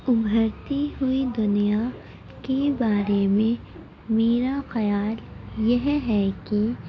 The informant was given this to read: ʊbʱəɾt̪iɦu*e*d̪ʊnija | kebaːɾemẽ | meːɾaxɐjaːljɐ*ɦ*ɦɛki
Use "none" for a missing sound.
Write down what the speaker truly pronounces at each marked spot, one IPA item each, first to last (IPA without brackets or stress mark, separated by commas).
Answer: i, ɦ